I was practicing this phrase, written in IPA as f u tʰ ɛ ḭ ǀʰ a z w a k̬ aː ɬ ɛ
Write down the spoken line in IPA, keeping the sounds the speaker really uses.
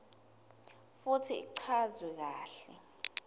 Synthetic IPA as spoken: f u tʰ i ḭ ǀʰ a z w ɛ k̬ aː ɬ ɛ

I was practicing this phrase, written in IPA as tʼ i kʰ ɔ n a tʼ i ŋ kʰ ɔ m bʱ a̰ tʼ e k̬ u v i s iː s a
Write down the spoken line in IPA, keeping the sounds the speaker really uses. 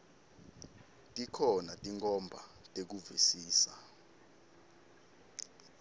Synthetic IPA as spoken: tʼ i kʰ ɔ n a tʼ i ŋ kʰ ɔ m bʱ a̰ tʼ e k̬ u v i s iː s a

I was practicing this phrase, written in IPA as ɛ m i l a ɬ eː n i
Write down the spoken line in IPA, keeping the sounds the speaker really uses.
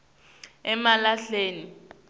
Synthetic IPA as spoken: ɛ m a l a ɬ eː n i

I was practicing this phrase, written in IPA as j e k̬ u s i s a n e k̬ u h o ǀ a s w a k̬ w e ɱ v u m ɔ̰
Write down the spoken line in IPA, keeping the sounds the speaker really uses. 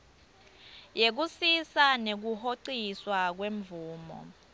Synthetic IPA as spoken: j e k̬ u s i s a n e k̬ u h o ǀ i s w a k̬ w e ɱ v uː m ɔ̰

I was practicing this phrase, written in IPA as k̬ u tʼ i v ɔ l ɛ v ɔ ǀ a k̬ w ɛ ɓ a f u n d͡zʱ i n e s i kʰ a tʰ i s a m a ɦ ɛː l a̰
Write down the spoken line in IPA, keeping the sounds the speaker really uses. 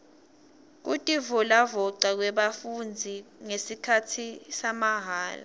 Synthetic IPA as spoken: k̬ u tʼ i v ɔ l a v ɔ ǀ a k̬ w ɛ ɓ a f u n d͡zʱ i ŋ e s i kʰ a tʰ i s a m a ɦ aː l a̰

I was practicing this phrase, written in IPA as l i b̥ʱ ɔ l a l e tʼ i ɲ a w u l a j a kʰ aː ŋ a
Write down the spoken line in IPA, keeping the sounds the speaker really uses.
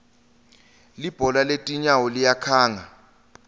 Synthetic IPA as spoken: l i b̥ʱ ɔ l a l e tʼ i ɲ a w ɔ l i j a kʰ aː ŋ a

